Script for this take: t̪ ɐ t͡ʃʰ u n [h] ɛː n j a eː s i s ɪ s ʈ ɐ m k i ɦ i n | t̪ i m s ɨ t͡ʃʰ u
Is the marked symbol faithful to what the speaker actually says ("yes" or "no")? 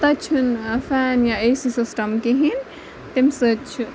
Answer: no